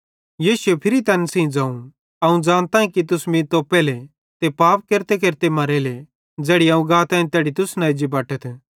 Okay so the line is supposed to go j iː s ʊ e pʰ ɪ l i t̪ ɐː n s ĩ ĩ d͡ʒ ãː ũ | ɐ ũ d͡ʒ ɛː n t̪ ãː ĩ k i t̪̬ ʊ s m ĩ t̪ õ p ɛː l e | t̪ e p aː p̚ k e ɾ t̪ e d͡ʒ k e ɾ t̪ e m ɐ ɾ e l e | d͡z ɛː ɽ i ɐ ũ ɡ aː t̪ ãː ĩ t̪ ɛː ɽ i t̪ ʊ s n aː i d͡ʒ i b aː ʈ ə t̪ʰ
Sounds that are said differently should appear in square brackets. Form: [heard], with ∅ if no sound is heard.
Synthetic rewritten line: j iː s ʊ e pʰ ɪ [ɾ] i t̪ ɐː n s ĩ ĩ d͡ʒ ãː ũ | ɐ ũ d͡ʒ [aː] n t̪ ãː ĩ k i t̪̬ ʊ s m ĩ t̪ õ p ɛː l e | t̪ e p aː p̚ k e ɾ t̪ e [∅] k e ɾ t̪ e m ɐ ɾ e l e | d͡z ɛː ɽ i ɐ ũ ɡ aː t̪ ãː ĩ t̪ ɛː ɽ i t̪ ʊ s n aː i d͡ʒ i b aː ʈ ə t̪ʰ